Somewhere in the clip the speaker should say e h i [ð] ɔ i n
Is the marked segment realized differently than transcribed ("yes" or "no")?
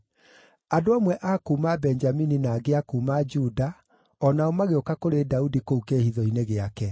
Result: no